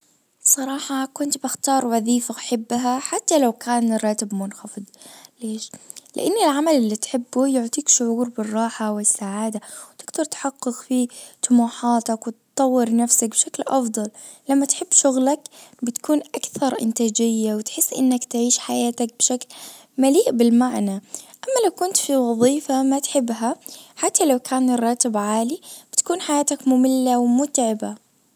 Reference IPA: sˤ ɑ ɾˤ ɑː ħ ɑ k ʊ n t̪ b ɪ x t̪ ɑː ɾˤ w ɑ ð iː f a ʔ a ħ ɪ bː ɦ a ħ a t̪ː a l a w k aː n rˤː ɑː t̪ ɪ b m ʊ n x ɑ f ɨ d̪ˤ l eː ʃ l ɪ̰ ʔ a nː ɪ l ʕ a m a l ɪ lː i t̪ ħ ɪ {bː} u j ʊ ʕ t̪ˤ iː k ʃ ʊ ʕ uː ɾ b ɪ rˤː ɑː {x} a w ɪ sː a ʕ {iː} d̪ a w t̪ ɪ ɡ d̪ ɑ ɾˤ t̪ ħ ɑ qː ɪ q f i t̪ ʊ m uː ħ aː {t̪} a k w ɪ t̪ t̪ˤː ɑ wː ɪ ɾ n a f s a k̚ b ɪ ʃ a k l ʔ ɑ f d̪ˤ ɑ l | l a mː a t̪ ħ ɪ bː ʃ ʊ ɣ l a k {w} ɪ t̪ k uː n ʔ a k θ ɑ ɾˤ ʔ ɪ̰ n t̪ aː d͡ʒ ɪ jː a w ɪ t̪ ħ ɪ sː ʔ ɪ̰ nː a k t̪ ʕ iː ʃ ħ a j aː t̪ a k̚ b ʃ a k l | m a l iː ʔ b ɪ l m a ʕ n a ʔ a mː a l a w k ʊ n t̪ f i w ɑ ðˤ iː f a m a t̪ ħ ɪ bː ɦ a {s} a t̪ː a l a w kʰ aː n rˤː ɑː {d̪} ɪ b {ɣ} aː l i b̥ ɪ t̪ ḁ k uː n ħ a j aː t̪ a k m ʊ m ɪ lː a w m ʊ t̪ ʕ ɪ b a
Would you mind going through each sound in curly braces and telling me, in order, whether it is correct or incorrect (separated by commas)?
correct, incorrect, incorrect, correct, incorrect, incorrect, incorrect, incorrect